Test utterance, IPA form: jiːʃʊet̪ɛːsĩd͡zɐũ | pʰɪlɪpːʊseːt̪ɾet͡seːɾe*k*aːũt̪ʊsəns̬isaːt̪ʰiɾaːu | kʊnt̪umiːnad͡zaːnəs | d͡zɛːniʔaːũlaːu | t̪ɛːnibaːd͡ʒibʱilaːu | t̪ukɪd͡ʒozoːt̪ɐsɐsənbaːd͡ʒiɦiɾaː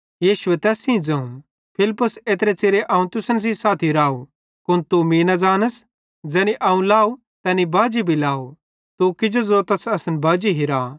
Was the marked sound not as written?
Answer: yes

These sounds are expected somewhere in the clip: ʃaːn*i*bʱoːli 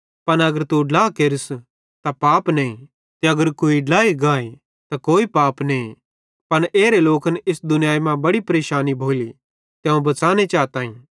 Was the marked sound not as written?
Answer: no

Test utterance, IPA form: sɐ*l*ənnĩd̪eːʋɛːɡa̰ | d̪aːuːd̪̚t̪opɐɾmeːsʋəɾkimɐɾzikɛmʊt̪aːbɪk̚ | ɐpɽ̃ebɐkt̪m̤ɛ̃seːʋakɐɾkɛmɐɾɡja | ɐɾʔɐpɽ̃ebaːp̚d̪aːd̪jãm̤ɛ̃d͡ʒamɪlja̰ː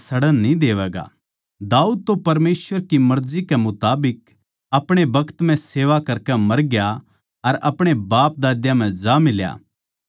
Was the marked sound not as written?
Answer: yes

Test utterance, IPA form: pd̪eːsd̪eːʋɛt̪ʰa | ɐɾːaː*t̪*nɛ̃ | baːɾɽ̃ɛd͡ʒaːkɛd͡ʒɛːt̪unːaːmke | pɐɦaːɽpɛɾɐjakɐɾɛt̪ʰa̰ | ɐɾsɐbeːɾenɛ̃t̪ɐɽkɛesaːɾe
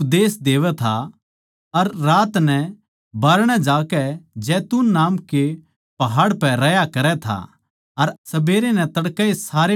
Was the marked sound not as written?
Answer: no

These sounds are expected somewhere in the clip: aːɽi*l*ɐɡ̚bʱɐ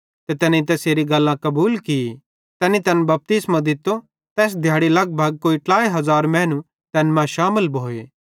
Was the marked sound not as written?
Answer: no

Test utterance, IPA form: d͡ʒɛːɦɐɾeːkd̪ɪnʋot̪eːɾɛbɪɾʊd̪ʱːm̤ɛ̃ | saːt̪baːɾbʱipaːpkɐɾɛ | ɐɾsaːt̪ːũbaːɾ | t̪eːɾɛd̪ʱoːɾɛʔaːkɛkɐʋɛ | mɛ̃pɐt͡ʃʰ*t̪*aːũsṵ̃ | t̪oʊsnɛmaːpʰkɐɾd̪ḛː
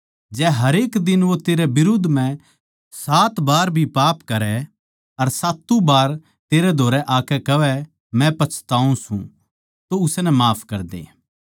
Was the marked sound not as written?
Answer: no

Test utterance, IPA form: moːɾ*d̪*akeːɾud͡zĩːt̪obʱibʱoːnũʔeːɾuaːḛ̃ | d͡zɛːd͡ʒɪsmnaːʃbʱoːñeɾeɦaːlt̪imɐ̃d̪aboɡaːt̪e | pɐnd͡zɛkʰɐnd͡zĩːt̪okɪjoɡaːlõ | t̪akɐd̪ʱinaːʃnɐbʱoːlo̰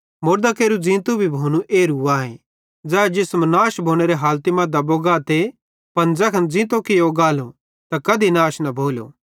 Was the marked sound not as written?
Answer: no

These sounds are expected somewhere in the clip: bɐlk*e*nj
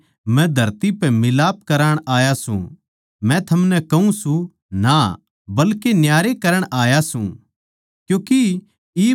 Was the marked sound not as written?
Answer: no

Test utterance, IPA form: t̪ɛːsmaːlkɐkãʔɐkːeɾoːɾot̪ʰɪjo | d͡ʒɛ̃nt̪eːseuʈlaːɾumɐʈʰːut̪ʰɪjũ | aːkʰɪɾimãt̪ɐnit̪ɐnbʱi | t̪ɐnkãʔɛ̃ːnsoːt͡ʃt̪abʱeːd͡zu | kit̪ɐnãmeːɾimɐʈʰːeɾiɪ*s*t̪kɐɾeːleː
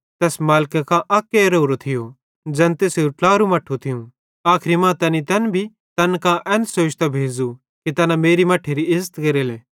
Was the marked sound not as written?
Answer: yes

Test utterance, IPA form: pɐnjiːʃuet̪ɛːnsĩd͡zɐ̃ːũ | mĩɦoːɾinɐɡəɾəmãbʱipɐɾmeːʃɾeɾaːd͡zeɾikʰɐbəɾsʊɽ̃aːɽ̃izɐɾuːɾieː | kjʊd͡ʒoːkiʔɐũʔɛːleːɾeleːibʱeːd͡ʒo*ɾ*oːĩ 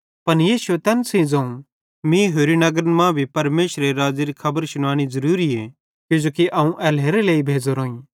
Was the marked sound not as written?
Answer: no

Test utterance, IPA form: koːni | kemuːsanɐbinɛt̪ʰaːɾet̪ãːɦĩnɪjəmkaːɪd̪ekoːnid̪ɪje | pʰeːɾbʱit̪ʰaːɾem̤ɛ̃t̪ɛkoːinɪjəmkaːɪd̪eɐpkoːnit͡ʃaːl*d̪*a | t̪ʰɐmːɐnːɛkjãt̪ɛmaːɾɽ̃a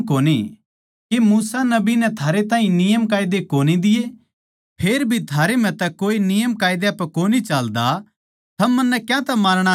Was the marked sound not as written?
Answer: no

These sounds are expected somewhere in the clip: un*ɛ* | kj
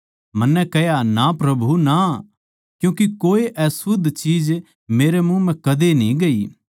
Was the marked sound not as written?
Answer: yes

